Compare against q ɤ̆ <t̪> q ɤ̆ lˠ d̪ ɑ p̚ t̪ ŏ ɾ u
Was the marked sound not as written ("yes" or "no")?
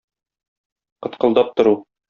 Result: no